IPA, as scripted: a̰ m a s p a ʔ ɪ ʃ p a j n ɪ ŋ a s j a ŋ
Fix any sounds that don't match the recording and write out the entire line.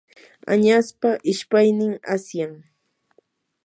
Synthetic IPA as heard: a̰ ɲ a s p a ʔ ɪ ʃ p a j n ɪ ŋ a s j a ŋ